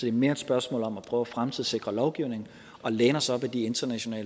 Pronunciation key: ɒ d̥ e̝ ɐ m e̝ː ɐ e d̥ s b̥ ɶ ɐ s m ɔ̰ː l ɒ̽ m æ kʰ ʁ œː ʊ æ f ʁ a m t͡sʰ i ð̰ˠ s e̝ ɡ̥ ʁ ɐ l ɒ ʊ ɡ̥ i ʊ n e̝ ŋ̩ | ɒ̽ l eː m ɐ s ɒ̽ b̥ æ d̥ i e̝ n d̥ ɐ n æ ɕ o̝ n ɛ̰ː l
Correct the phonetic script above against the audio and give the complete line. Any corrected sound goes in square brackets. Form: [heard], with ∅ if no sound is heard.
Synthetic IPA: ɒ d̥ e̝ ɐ m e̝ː ɐ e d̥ s b̥ ɶ ɐ s m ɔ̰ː l ɒ̽ m æ [pʰ] ʁ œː ʊ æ f ʁ a m t͡sʰ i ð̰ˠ s e̝ ɡ̥ ʁ ɐ l ɒ ʊ ɡ̥ i ʊ n e̝ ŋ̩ | ɒ̽ l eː [n] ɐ s ɒ̽ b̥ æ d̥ i e̝ n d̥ ɐ n æ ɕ o̝ n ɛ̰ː l